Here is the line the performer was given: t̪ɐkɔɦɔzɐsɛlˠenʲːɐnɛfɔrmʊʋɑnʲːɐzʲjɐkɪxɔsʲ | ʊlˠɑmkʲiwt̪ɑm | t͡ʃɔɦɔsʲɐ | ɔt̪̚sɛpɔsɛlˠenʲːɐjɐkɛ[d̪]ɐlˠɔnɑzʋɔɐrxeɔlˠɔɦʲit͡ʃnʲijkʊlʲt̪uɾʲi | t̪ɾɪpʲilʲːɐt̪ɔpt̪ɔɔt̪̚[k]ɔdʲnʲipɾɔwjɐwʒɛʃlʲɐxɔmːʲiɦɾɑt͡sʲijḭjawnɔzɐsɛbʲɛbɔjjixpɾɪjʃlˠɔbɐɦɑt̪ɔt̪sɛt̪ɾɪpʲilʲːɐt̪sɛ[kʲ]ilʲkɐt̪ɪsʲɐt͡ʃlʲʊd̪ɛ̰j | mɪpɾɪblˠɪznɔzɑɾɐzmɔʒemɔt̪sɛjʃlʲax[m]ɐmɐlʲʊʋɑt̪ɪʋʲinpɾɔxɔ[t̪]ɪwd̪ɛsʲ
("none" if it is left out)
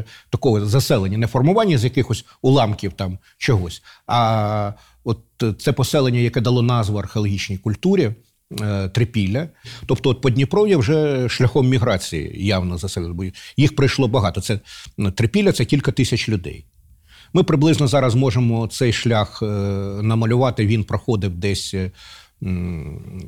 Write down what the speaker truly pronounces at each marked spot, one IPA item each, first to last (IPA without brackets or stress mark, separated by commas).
d̪, p, kʲ, n, d̪